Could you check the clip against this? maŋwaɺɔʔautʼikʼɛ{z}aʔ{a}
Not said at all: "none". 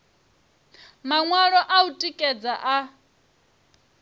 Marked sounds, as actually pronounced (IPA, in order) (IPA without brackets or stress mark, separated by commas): d͡z, a